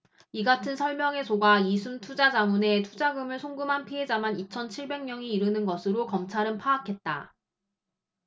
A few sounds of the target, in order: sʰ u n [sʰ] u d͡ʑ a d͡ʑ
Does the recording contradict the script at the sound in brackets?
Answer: yes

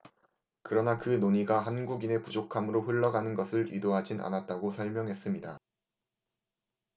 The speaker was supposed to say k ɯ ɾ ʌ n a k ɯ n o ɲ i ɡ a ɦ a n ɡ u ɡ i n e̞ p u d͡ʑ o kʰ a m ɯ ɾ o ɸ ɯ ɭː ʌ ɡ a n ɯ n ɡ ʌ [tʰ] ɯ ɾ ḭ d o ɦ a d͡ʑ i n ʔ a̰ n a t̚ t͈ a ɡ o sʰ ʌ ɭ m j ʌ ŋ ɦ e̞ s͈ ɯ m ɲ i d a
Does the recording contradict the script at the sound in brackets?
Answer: yes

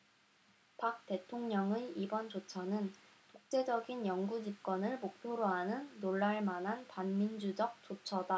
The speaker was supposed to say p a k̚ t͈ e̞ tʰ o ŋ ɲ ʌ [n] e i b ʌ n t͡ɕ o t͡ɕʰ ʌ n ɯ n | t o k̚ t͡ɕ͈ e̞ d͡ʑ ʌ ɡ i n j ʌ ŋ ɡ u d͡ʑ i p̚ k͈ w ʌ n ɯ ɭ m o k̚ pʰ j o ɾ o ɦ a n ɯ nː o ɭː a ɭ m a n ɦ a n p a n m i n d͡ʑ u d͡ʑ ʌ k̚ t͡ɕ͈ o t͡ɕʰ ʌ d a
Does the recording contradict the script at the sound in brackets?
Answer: yes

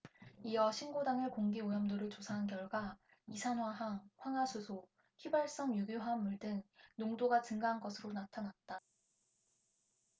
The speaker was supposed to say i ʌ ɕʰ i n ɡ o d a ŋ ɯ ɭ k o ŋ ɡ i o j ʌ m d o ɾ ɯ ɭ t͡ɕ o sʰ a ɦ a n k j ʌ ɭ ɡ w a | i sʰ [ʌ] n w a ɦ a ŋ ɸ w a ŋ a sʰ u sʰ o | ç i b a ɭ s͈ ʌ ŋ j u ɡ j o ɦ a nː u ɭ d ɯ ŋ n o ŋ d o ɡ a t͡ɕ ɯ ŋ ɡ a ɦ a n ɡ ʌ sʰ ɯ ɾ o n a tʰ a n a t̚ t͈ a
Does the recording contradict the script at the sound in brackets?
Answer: yes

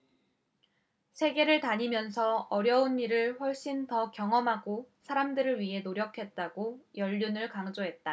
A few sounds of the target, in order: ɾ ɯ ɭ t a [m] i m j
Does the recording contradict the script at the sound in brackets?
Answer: yes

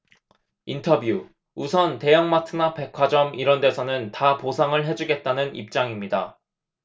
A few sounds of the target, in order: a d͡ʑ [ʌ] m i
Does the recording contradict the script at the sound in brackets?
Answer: no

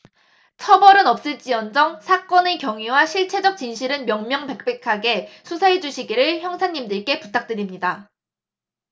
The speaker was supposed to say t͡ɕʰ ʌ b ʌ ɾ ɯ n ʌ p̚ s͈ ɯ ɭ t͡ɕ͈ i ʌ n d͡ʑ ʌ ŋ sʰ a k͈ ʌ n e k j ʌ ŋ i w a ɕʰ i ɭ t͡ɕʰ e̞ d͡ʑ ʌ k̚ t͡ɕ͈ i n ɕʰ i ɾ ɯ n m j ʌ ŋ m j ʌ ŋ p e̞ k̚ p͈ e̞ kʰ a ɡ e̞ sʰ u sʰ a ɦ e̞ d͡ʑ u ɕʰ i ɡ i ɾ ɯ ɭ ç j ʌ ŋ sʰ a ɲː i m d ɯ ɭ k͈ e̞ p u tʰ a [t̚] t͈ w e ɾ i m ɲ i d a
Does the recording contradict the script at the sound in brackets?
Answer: yes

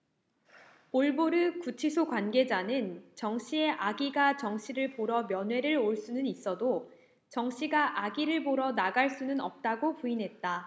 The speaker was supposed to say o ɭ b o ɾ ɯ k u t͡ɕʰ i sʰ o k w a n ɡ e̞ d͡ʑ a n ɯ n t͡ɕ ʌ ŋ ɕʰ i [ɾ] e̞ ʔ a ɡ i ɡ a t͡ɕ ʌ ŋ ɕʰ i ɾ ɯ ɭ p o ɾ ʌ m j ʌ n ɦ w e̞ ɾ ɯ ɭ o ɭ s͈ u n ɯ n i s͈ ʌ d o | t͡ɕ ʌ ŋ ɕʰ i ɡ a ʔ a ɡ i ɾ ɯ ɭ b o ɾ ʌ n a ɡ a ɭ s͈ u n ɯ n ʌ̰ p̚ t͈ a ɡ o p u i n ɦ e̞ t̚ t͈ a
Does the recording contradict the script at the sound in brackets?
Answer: yes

